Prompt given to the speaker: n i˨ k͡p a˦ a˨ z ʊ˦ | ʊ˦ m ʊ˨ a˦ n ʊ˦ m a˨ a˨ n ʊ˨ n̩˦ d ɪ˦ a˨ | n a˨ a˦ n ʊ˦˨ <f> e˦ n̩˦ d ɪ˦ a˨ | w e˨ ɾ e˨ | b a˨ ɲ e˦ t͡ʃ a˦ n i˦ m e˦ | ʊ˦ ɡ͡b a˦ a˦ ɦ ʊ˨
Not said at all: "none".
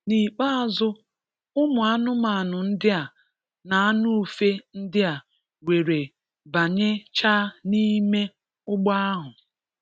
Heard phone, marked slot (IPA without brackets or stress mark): f